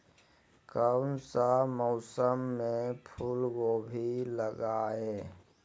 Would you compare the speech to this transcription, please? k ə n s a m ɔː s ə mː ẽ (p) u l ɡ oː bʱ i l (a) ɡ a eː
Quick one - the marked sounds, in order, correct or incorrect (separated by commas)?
incorrect, incorrect